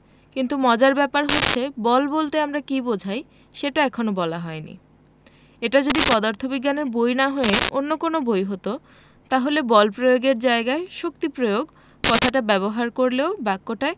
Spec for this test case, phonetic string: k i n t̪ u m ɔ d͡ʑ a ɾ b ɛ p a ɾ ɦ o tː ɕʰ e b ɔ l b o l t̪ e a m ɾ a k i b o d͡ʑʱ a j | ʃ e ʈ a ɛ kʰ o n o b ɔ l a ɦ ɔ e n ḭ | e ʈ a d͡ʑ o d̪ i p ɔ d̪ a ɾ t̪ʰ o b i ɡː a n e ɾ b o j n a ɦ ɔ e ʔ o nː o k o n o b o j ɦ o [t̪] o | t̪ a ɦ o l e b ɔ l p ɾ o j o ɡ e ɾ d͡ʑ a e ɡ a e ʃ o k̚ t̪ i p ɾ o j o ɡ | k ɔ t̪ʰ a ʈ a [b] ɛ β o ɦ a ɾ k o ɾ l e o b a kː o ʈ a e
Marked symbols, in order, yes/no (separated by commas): yes, yes